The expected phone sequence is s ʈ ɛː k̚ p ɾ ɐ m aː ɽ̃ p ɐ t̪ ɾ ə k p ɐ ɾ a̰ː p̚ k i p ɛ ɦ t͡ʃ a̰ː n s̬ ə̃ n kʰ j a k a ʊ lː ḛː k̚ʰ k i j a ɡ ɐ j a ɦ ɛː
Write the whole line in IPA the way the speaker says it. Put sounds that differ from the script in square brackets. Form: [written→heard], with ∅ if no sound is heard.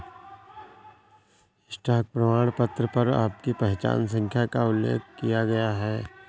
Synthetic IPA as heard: s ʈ [ɛː→aː] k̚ p ɾ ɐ m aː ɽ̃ p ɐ t̪ ɾ ə [k→∅] p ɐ ɾ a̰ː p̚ k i p ɛ ɦ t͡ʃ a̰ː n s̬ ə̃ [n→ŋ] kʰ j a k a ʊ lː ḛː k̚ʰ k i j a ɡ ɐ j a ɦ ɛː